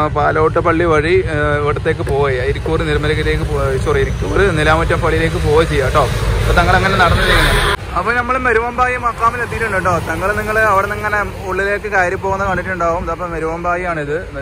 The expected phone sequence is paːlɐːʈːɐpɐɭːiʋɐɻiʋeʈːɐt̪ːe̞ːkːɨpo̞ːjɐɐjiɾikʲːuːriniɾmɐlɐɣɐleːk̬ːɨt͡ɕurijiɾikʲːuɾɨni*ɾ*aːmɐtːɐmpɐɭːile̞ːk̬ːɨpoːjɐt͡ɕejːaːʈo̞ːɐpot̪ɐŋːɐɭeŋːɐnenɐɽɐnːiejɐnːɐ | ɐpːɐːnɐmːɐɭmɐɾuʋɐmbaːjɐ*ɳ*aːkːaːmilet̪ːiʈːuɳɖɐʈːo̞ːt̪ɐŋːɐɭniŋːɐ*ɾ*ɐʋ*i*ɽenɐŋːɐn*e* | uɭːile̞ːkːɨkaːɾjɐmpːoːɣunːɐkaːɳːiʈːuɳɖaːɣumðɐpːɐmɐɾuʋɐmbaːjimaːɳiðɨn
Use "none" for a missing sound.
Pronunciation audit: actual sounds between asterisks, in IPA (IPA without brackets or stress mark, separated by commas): l, m, ɭ, i, e